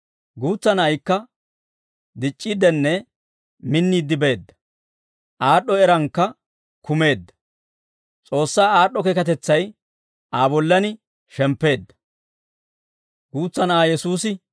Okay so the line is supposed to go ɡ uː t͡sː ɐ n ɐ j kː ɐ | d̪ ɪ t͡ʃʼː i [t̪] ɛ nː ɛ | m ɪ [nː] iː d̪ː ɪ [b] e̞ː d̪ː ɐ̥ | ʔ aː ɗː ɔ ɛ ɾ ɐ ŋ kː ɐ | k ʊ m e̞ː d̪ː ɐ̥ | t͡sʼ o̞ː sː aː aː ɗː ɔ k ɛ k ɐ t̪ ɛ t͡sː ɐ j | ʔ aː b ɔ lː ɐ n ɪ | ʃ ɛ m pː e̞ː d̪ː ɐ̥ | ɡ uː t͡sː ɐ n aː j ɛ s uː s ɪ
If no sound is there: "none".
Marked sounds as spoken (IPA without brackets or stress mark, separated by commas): d̪, nː, b